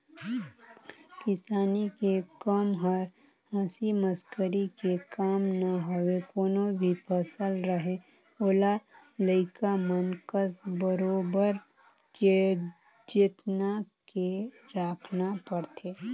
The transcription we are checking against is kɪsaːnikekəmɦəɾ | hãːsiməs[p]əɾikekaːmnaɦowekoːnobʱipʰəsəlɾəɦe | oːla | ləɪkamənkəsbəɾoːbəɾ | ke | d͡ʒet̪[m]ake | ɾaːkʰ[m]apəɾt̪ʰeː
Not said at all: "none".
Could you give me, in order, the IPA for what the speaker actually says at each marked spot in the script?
k, n, n

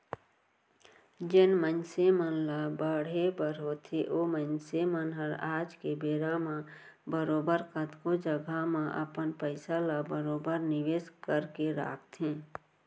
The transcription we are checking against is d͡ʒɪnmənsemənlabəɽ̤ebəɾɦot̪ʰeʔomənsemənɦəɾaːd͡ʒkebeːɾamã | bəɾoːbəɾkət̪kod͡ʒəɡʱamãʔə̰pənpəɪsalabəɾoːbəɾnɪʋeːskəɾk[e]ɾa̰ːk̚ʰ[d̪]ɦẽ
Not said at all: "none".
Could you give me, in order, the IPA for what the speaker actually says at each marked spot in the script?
e, t̪

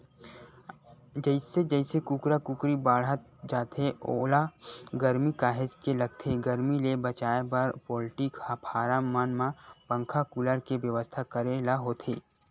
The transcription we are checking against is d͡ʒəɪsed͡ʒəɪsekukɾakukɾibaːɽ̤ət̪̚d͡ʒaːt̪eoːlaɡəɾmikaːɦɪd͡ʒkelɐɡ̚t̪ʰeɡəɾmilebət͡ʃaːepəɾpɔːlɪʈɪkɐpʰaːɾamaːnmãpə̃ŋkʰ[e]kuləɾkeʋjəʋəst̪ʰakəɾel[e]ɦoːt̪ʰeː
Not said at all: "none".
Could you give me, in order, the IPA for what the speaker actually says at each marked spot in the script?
a, a

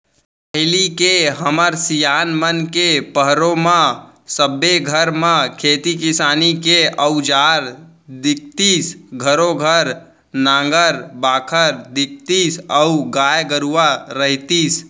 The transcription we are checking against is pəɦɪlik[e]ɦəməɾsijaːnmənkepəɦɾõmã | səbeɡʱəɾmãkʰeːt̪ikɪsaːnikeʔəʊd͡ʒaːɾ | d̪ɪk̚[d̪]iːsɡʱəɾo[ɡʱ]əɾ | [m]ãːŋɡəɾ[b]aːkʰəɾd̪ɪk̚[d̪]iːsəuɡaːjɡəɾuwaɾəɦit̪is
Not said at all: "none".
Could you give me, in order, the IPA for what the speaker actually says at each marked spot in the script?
e, t̪, ɡʱ, n, b, t̪

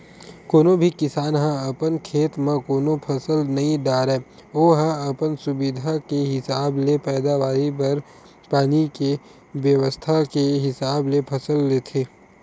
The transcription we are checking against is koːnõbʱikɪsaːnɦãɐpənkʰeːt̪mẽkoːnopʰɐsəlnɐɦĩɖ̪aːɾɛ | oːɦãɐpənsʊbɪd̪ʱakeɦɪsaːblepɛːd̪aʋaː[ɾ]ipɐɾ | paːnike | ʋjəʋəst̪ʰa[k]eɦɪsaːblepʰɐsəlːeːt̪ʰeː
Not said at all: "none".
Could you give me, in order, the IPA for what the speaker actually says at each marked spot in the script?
ɾ, k

